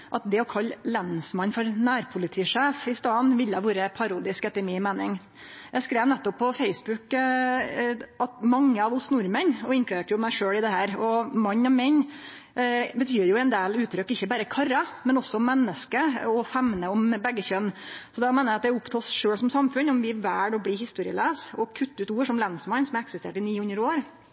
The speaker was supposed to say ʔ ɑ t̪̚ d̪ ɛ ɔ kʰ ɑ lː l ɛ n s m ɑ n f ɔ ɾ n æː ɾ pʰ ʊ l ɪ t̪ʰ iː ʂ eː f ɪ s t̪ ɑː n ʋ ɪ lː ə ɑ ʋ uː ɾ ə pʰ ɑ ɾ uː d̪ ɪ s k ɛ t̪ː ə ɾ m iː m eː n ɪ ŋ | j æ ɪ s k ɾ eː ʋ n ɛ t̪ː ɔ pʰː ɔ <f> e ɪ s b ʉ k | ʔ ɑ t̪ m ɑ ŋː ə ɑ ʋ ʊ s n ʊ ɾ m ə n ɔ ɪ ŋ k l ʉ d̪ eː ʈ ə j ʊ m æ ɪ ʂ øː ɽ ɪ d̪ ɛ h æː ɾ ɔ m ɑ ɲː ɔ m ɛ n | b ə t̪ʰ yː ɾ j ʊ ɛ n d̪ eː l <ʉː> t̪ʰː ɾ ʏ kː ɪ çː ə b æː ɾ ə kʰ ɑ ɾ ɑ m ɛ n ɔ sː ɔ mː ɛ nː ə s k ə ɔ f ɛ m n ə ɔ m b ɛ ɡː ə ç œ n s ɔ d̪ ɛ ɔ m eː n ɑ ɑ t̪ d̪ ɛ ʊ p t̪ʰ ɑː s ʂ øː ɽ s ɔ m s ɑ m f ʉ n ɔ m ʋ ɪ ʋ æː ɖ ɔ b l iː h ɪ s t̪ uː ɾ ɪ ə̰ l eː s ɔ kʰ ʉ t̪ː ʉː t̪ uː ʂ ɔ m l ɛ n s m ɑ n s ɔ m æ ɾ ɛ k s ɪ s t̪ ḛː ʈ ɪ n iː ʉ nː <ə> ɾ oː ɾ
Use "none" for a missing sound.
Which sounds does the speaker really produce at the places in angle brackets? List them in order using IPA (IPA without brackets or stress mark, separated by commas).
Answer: f, ʉː, ə